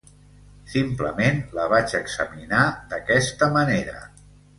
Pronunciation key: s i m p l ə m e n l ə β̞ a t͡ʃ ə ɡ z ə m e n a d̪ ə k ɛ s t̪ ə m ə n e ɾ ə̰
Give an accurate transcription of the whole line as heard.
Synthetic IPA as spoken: s i m p l ə m e n l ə β̞ a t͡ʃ ə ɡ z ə m i n a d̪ ə k ɛ s t̪ ə m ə n e ɾ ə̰